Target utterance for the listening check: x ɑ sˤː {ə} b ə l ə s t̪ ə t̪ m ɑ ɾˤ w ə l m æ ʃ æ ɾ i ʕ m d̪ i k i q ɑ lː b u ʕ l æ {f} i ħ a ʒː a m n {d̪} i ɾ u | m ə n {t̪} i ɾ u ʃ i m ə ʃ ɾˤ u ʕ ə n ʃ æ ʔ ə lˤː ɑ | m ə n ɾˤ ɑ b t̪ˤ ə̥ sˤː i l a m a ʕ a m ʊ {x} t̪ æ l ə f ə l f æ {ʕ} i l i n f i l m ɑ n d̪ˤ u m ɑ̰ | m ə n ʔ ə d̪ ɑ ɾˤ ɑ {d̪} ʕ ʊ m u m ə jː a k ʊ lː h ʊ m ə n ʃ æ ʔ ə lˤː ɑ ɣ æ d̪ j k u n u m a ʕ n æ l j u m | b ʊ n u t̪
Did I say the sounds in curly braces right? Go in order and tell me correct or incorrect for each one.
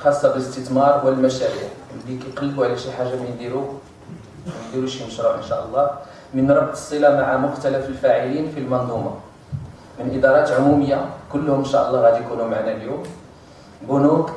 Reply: incorrect: ɑ, incorrect: ʃ, correct, incorrect: d̪, correct, correct, incorrect: t̪

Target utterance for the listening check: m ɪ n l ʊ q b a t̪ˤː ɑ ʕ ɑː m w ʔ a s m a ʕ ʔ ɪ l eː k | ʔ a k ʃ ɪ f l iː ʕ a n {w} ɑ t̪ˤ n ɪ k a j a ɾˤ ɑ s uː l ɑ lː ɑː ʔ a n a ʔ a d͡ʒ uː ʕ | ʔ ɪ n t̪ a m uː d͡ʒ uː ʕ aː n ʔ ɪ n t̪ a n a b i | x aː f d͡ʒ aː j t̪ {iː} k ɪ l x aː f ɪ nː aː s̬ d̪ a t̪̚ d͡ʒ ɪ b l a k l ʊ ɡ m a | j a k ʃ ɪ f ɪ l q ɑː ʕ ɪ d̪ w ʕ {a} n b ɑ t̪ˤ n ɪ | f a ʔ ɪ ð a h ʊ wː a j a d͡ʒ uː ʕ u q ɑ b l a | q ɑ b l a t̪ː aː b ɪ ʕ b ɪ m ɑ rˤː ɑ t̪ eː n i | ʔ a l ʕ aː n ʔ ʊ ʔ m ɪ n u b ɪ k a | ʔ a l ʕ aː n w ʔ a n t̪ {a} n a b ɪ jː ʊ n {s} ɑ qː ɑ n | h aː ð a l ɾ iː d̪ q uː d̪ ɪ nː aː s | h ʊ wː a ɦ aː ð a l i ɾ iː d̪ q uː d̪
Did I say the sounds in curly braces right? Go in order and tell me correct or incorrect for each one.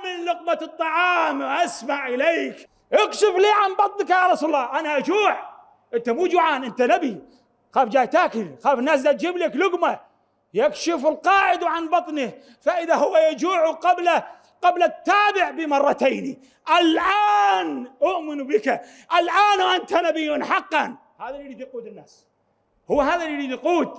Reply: incorrect: b, incorrect: aː, correct, correct, incorrect: ħ

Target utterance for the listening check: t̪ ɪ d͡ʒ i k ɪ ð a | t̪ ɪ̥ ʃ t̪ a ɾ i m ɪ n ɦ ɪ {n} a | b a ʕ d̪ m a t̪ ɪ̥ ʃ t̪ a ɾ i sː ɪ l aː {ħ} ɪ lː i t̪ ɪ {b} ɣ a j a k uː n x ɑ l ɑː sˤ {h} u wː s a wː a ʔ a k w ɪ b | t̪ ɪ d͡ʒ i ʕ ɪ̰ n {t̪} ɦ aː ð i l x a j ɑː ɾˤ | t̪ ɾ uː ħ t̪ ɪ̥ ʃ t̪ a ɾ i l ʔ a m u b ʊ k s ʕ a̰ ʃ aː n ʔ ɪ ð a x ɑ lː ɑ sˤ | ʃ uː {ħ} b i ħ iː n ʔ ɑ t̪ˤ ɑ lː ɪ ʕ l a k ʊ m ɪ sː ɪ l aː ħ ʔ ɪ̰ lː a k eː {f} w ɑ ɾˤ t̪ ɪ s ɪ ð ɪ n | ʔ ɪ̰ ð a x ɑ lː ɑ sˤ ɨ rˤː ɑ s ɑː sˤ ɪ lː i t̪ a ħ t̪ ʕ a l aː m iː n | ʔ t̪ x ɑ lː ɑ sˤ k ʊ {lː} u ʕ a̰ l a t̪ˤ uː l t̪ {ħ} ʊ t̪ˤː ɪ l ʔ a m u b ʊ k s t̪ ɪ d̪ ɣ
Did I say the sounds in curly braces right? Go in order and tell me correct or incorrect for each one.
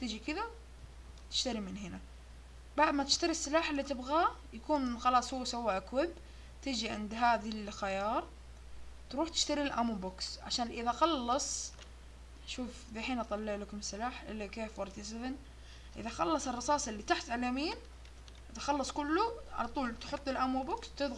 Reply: correct, correct, correct, correct, incorrect: d̪, incorrect: f, correct, correct, correct

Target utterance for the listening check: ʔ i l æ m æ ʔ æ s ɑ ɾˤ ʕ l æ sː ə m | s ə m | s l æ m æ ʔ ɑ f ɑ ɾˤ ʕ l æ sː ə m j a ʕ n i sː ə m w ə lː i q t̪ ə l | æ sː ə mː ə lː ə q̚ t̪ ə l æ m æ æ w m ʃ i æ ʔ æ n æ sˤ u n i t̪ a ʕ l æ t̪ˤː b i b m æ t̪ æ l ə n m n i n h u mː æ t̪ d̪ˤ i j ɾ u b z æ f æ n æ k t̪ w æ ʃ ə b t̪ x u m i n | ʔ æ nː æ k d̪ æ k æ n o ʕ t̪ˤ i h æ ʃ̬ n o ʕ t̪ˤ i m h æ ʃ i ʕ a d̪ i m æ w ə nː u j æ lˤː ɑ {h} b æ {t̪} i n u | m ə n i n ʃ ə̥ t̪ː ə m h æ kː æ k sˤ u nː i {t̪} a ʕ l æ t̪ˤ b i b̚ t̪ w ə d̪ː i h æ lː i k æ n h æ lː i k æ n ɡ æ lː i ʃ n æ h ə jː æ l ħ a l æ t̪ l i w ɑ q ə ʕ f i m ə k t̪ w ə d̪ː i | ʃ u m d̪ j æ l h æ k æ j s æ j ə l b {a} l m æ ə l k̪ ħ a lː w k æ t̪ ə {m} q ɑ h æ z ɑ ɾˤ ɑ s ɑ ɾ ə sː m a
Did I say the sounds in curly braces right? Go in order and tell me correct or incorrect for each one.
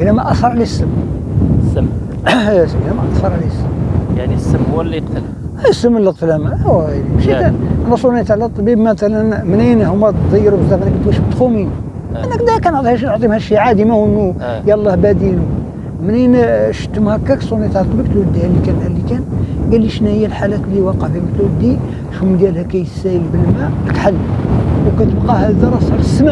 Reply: correct, incorrect: d̪, correct, incorrect: ə, incorrect: b

